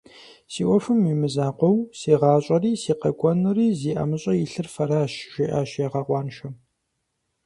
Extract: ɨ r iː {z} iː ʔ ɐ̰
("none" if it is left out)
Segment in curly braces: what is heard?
z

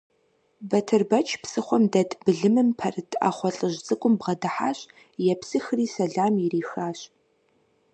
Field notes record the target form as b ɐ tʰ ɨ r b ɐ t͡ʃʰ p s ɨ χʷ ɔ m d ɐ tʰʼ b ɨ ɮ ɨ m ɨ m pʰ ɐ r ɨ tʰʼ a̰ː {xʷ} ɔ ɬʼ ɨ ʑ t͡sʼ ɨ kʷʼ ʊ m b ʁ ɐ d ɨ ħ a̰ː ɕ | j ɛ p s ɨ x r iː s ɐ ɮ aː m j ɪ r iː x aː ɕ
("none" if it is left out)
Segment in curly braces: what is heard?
χʷ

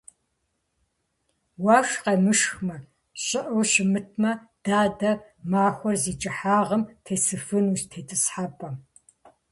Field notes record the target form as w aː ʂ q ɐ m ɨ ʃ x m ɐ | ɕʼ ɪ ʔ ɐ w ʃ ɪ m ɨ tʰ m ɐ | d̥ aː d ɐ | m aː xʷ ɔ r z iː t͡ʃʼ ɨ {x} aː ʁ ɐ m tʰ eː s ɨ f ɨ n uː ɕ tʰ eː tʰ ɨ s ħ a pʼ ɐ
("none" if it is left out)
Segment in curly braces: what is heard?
ħ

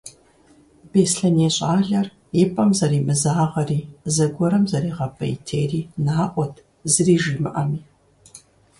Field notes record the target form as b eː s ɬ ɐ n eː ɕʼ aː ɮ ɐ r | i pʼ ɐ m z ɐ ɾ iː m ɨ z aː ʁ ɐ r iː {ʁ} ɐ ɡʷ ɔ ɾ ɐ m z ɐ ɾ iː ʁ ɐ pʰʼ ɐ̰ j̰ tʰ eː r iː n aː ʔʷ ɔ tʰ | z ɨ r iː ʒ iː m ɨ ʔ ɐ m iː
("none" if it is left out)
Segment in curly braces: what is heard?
z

